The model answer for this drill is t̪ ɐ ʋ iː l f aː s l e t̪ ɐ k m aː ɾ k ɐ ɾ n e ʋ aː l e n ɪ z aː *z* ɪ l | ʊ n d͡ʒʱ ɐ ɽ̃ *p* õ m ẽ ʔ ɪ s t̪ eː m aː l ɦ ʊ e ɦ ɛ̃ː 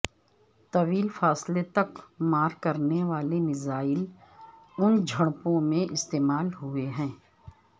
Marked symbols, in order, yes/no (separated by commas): no, yes